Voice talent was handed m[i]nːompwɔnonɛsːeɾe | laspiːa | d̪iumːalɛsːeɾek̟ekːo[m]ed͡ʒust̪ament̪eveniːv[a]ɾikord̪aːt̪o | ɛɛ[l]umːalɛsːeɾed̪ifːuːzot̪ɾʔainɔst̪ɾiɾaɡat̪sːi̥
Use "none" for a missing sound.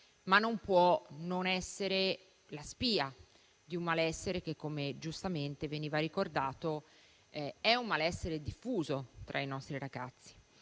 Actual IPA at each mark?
a, m, a, none

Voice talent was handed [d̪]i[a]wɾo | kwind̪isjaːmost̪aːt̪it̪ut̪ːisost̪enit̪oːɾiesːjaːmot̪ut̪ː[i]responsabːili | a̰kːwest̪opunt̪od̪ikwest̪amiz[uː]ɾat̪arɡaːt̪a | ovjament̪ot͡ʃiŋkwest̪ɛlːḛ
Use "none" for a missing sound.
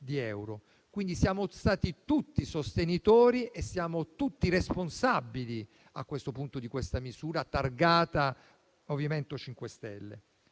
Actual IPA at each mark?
d̪, ɛ, i, uː

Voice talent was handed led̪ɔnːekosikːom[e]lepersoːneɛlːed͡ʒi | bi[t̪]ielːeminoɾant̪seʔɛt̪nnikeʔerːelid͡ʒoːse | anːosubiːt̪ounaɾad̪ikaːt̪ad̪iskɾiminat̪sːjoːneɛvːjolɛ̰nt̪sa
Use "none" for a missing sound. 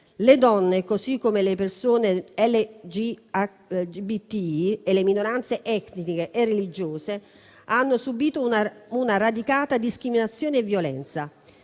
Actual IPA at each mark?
e, t̪

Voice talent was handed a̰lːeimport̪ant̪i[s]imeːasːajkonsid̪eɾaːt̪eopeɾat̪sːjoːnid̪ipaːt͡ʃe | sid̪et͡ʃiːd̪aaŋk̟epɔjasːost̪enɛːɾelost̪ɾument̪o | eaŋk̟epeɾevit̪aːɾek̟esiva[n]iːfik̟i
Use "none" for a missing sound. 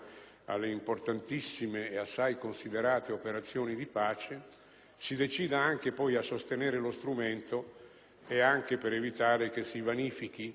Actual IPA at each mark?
sː, n

